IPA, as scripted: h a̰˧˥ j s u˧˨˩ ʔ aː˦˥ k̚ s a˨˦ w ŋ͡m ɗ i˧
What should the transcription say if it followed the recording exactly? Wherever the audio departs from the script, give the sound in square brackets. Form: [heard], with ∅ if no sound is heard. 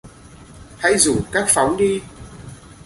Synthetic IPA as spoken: h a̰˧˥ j [z] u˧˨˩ [k] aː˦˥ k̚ [f] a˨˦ w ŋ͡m ɗ i˧